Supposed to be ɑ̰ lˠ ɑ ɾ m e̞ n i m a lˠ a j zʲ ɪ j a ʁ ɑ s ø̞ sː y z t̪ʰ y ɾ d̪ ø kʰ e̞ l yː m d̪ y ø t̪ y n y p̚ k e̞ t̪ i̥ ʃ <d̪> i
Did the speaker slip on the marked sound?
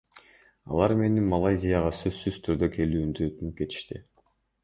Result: yes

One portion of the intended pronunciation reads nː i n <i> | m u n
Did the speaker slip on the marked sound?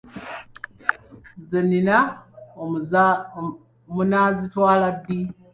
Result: yes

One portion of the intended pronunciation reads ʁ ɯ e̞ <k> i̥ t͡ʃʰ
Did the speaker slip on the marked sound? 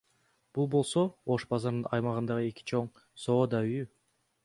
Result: no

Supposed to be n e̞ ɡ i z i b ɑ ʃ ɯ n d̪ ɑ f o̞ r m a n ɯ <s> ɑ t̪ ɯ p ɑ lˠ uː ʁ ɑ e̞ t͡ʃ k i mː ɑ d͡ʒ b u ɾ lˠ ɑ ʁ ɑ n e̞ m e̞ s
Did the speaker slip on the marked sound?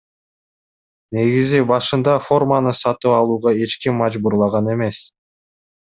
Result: no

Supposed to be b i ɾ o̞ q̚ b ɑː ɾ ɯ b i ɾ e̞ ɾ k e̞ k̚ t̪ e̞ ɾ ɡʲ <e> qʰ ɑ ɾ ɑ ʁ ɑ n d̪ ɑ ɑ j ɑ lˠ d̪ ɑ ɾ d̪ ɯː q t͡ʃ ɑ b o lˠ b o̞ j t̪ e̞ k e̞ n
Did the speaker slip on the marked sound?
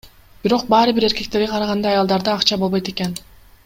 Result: no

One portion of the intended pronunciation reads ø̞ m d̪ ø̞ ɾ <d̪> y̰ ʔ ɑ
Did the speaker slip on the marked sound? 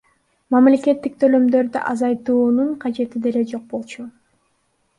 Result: no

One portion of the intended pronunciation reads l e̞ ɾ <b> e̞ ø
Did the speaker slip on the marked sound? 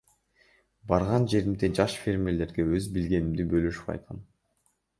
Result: yes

